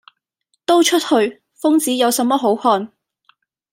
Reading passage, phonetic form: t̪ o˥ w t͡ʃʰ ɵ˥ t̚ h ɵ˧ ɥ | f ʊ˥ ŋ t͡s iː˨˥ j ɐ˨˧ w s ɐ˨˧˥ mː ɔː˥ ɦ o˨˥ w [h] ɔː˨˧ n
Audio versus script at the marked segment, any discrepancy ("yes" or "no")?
no